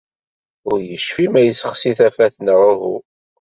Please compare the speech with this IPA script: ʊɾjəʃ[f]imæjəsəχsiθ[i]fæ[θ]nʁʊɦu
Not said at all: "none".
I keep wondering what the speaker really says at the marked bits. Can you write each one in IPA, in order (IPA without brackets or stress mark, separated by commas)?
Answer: f, æ, θ